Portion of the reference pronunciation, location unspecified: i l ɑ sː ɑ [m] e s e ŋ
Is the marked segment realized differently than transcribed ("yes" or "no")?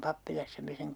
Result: no